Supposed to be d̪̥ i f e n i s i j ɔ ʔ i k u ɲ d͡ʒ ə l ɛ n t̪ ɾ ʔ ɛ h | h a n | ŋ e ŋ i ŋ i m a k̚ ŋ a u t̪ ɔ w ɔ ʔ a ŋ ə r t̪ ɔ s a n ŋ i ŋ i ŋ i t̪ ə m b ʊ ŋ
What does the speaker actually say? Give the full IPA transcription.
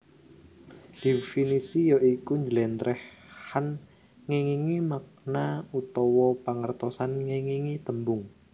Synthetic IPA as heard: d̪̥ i f i n i s i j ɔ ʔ i k u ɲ d͡ʒ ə l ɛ n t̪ ɾ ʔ ɛ h | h a n | ŋ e ŋ i ŋ i m a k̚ n a u t̪ ɔ w ɔ p a ŋ ə r t̪ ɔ s a n ŋ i ŋ i ŋ i t̪ ə m b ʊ ŋ